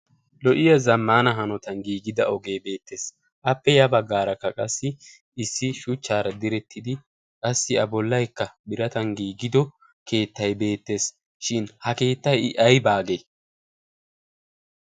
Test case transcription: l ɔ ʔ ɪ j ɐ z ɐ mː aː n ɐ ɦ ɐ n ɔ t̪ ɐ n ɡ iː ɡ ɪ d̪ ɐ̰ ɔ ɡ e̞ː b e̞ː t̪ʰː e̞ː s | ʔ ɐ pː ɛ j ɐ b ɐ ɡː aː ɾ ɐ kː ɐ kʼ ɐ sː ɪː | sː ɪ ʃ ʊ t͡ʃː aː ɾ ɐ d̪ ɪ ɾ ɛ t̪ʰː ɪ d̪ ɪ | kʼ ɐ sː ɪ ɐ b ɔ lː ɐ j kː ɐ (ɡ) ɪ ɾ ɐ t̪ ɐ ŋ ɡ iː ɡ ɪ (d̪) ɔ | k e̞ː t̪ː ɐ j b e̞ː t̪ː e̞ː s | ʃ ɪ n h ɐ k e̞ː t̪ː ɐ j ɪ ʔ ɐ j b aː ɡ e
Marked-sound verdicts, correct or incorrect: incorrect: b, correct

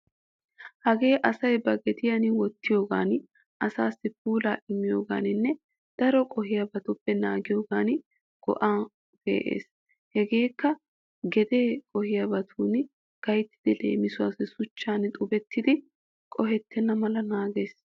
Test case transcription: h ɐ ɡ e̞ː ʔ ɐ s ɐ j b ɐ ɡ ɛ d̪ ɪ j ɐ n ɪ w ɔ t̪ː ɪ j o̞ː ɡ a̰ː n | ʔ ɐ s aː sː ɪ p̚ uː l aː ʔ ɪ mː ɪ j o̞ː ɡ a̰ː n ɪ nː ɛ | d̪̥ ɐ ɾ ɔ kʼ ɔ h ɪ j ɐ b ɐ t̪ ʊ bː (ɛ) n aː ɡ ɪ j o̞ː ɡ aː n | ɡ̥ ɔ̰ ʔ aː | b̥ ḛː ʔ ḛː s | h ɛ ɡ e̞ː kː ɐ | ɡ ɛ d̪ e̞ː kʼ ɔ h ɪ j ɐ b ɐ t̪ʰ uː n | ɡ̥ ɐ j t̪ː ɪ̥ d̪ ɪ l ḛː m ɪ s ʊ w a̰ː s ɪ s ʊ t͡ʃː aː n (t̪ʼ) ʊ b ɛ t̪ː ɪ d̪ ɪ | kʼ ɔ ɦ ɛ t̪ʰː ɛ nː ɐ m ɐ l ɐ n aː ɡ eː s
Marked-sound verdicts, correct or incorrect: correct, correct

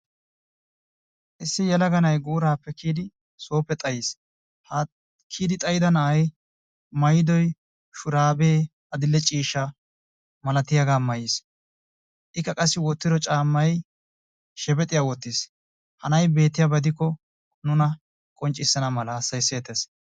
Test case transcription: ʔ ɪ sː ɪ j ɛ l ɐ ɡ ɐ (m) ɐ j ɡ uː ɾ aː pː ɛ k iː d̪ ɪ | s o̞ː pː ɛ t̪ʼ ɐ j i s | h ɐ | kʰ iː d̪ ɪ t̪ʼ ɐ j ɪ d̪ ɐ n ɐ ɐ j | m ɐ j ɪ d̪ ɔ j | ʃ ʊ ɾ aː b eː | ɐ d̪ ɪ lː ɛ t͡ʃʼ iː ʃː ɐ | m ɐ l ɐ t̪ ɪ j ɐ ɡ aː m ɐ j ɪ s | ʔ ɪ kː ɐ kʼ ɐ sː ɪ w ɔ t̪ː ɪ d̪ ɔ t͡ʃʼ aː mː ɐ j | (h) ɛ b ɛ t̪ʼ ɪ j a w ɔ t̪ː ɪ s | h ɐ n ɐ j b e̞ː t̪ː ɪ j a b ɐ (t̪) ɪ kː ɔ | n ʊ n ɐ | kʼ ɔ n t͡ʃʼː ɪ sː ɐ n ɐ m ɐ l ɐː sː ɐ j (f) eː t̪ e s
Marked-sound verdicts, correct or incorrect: incorrect: n, incorrect: ʃ, incorrect: d̪, incorrect: s

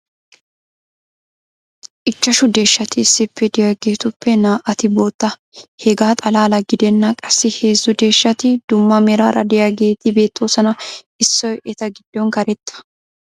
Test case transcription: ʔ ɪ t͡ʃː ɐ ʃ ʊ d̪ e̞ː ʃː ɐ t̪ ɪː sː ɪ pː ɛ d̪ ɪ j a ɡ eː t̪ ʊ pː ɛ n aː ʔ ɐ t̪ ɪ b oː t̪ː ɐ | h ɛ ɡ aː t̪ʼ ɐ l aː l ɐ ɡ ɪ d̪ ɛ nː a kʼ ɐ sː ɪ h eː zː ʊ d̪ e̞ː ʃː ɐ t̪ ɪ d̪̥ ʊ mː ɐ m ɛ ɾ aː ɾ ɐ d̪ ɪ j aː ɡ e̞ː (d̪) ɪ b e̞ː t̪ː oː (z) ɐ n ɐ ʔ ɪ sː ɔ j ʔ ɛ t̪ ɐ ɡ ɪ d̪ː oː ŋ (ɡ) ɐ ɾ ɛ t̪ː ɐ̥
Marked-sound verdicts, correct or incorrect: incorrect: t̪, incorrect: s, incorrect: k

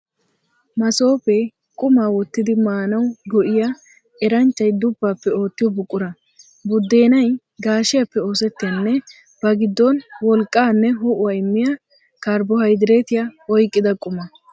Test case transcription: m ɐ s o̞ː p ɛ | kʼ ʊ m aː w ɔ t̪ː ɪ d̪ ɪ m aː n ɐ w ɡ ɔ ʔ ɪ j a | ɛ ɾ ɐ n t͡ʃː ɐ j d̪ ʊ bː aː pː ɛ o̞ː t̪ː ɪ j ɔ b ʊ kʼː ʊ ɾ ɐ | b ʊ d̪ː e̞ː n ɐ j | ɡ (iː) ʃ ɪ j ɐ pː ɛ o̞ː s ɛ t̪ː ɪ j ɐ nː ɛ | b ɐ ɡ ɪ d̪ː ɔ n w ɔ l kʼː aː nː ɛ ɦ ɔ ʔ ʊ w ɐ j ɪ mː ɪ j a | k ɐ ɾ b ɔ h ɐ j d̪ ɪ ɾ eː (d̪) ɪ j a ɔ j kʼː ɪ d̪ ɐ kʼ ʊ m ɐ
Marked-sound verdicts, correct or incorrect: incorrect: aː, incorrect: t̪

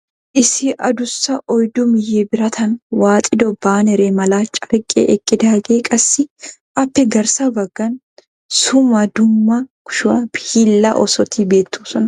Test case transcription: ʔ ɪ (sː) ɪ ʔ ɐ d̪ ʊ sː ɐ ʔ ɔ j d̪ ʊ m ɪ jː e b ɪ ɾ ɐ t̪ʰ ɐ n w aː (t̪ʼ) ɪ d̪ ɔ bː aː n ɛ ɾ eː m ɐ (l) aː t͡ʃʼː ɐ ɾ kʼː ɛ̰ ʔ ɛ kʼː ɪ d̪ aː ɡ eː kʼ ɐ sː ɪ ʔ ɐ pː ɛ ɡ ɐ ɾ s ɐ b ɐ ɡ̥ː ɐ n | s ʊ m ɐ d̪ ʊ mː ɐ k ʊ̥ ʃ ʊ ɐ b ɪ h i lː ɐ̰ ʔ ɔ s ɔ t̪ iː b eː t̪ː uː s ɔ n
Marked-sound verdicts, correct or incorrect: incorrect: s, correct, correct

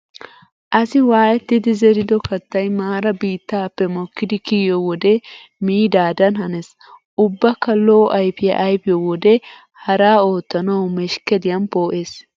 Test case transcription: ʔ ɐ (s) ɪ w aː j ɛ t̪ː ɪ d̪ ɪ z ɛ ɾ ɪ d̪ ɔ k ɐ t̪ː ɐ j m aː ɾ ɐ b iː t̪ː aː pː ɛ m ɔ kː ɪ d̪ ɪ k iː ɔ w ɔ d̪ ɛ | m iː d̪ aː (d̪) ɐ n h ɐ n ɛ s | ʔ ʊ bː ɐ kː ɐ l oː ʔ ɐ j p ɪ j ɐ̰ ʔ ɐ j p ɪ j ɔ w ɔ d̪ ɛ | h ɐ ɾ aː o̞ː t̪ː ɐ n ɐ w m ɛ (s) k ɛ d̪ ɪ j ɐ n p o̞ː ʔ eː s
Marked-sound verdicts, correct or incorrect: correct, correct, incorrect: ʃ

